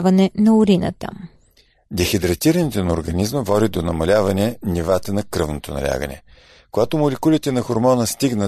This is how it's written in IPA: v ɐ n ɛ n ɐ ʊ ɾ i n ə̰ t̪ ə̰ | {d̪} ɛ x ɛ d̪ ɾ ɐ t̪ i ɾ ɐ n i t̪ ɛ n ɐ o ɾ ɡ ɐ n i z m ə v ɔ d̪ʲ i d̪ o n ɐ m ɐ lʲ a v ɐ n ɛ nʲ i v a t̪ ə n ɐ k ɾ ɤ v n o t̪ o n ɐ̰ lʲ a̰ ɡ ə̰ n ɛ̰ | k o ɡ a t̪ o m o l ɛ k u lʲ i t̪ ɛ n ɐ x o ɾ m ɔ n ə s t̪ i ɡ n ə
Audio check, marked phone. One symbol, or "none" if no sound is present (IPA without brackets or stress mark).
d̪